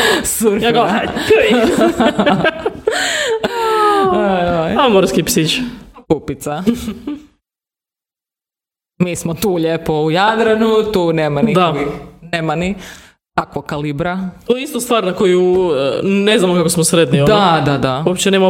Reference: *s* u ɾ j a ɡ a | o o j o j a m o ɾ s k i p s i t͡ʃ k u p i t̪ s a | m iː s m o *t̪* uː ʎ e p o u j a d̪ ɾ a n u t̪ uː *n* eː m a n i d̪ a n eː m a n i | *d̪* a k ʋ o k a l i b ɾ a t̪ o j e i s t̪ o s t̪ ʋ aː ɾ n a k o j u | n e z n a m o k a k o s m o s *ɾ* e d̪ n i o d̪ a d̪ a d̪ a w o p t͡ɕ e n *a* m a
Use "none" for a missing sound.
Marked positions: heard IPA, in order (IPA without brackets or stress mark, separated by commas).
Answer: s, t̪, n, t̪, ɾ, e